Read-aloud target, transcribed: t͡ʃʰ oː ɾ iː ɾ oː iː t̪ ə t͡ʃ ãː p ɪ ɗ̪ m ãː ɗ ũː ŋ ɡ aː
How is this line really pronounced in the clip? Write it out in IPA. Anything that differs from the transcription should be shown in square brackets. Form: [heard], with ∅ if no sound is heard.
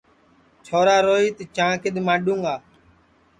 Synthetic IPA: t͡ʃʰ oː ɾ [aː] ɾ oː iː t̪ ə t͡ʃ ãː [k] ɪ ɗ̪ m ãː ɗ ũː ŋ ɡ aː

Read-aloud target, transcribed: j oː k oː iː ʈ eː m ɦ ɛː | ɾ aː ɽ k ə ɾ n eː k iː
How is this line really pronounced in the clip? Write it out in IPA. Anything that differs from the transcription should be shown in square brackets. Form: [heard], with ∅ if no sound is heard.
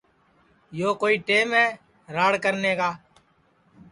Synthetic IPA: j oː k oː iː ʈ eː m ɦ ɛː | ɾ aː ɽ k ə ɾ n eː k [aː]

